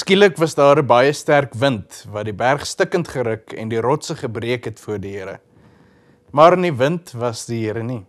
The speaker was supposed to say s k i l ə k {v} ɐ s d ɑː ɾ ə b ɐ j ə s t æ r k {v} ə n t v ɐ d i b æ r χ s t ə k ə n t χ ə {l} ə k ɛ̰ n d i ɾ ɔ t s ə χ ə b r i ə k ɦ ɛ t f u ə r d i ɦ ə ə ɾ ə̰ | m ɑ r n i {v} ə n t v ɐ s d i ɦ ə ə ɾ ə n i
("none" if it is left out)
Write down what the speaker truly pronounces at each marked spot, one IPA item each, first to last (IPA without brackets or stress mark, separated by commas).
v, v, ɾ, v